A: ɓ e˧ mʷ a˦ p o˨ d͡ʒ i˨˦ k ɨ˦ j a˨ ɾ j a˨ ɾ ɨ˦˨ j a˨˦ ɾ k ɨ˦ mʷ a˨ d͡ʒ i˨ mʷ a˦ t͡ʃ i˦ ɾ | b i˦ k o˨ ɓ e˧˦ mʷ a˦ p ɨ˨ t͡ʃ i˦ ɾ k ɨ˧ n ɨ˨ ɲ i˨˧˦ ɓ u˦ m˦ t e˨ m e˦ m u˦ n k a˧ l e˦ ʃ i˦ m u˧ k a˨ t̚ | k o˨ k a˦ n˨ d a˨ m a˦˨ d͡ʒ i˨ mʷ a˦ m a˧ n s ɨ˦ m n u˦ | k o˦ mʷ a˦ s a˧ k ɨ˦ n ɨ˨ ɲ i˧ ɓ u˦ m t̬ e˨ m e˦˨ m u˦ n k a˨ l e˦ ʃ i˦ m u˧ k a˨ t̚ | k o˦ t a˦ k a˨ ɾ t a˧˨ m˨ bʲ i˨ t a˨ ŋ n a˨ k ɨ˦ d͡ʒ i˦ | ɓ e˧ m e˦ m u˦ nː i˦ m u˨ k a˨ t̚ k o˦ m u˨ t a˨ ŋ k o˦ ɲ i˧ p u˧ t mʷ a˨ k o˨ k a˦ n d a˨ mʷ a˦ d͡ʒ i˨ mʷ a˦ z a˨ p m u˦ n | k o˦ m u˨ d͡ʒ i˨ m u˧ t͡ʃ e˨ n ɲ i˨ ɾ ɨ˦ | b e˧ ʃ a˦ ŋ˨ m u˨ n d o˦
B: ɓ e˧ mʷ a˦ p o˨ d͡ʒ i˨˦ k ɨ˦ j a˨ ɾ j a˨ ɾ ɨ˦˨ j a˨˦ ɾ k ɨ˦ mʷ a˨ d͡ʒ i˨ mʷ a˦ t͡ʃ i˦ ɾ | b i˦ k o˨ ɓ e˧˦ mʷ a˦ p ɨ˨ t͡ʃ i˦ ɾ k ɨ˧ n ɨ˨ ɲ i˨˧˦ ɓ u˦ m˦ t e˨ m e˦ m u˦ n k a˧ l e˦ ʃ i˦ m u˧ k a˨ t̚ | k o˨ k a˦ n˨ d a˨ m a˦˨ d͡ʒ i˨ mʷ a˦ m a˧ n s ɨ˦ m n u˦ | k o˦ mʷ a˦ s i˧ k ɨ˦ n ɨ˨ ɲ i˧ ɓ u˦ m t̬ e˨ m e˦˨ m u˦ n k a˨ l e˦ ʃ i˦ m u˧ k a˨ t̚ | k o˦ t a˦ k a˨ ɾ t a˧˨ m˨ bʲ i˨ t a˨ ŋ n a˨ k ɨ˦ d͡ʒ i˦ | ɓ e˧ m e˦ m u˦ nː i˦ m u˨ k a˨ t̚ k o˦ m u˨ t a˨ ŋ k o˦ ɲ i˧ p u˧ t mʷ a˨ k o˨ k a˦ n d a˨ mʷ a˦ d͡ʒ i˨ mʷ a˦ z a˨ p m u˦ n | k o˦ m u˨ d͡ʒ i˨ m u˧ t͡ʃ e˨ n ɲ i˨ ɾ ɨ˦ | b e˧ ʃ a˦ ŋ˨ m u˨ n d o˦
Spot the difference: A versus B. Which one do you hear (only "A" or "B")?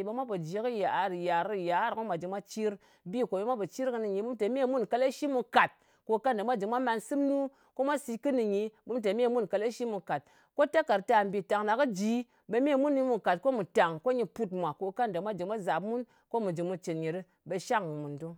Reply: B